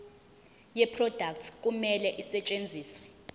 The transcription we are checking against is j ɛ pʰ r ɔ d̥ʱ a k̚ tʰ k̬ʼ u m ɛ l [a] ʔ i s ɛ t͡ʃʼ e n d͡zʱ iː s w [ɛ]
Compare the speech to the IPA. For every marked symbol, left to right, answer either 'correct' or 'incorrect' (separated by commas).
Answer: incorrect, correct